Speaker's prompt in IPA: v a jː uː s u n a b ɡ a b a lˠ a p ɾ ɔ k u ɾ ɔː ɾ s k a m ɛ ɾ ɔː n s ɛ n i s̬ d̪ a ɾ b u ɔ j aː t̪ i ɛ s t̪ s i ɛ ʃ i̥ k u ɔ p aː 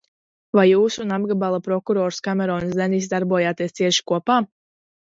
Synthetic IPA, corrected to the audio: v a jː uː s u n a b ɡ a b a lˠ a p ɾ ɔ k u ɾ ɔː ɾ s k a m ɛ ɾ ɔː n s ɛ n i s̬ d̪ a ɾ b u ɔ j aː t̪ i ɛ s t̪ s i ɛ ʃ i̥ k u ɔ p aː